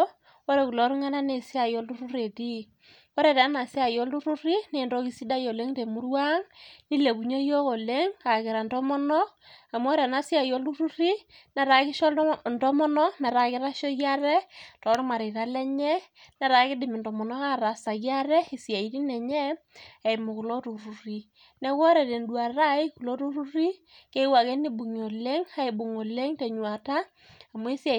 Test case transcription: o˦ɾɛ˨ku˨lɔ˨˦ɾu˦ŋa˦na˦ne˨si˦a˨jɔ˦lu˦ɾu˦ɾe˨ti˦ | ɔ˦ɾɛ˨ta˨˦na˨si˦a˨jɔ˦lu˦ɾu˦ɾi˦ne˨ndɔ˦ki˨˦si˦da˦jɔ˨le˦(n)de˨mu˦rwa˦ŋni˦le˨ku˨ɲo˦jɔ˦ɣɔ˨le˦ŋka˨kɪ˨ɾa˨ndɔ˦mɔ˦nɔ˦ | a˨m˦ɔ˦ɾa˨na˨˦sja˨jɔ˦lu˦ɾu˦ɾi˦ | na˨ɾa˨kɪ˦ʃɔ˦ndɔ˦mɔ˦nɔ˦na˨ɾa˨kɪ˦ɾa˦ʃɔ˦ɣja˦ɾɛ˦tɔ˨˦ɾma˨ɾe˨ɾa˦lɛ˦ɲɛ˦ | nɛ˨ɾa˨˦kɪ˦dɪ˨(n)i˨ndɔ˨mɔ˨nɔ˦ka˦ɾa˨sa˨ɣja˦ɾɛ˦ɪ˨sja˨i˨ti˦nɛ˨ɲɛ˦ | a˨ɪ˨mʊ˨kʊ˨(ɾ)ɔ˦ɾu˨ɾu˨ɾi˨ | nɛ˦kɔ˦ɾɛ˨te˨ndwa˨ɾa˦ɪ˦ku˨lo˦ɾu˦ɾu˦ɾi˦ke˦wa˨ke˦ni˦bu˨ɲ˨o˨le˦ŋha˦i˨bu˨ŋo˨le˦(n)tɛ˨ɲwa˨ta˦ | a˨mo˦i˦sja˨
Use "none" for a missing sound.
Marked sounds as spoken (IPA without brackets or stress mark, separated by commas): ŋ, m, l, ŋ